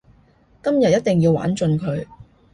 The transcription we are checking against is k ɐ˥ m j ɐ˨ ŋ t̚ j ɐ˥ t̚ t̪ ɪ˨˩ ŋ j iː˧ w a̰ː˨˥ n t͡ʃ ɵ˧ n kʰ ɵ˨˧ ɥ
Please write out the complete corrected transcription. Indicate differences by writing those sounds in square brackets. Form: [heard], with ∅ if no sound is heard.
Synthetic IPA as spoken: k ɐ˥ m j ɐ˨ [∅] t̚ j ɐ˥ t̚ t̪ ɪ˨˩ ŋ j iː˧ w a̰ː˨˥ n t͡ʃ ɵ˧ n kʰ ɵ˨˧ ɥ